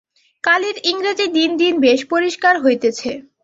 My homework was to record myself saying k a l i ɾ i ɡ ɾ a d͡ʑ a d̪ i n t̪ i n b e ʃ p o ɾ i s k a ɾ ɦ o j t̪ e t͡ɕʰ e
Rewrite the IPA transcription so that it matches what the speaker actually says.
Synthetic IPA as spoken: k a l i ɾ i ŋ ɾ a d͡ʑ i d̪ i n d̪ i n b e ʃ p o ɾ i ʃ k a ɾ ɦ o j t̪ e t͡ɕʰ e